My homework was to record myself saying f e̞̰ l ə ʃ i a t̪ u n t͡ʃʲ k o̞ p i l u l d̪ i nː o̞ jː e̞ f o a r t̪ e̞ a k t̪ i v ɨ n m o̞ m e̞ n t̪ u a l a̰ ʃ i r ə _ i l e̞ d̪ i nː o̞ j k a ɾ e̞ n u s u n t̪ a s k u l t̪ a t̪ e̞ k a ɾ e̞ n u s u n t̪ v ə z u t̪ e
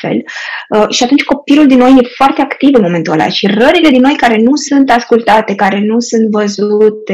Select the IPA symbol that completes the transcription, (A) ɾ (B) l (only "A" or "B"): A